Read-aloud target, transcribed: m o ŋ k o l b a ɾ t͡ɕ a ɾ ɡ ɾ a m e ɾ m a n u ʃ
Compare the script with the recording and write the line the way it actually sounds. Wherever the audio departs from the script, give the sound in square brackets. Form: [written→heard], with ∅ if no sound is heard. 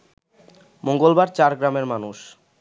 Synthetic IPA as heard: m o ŋ [k→ɡ] o l b a ɾ t͡ɕ a ɾ ɡ ɾ a m e ɾ m a n u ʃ